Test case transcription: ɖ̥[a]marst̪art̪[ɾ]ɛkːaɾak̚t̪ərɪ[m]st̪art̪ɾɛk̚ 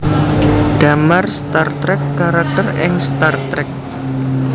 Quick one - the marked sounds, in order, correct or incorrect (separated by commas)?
correct, correct, incorrect